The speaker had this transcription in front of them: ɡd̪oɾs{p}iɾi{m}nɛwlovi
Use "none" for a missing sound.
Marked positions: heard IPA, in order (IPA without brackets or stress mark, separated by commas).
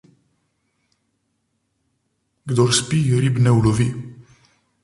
p, b